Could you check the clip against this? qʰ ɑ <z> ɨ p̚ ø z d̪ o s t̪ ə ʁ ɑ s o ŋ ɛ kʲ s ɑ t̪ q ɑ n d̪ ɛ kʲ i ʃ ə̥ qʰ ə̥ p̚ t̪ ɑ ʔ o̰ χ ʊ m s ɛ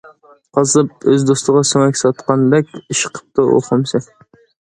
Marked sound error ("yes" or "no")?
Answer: no